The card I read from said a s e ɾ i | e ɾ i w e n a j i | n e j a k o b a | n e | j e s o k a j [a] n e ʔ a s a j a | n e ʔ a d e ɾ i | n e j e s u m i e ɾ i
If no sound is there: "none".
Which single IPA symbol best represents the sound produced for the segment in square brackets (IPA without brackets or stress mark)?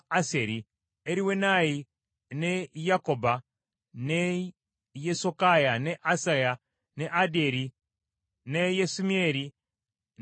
a